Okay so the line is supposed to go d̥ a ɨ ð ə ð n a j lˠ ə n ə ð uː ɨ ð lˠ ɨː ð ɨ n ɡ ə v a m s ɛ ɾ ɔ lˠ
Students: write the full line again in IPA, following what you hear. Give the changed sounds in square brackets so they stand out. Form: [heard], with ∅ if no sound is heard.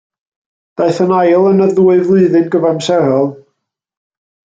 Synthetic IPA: d̥ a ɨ [θ] ə [∅] n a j lˠ ə n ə ð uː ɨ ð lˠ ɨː ð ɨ n ɡ ə v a m s ɛ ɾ ɔ lˠ